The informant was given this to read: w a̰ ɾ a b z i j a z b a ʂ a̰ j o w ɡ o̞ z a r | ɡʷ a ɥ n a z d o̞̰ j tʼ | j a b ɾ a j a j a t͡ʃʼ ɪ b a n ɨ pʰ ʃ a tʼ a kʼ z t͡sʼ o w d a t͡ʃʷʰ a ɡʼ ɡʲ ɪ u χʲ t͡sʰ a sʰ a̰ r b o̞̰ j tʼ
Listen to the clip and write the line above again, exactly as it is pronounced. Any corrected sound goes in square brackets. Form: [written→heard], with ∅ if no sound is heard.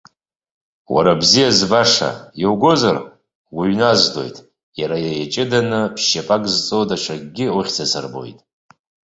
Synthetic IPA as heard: w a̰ ɾ a b z i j a z b a ʂ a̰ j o w ɡ o̞ z a r | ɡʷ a ɥ n a z d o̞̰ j tʼ | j a [b→∅] ɾ a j a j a t͡ʃʼ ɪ [b→d] a n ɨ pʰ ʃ a [tʼ→pʼ] a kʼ z t͡sʼ o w d a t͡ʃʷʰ a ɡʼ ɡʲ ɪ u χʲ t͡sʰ a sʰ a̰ r b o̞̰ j tʼ